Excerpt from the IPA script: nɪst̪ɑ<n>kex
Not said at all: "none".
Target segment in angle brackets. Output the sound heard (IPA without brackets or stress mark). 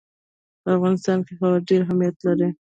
n